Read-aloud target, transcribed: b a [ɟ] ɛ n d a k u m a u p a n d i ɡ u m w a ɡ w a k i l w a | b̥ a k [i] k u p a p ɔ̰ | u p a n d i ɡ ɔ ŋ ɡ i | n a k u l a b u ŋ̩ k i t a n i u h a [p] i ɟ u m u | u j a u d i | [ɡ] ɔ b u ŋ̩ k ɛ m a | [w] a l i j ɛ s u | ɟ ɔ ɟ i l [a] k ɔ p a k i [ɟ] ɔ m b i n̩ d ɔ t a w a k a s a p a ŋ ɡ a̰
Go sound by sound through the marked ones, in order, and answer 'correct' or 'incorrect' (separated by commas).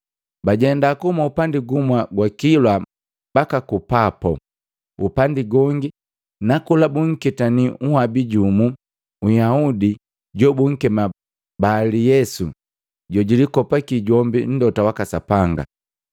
correct, incorrect, incorrect, incorrect, incorrect, incorrect, correct